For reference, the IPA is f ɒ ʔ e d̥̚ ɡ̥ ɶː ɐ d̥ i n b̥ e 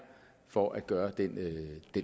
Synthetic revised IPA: f ɒ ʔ æ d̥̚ ɡ̥ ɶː ɐ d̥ e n d̥ e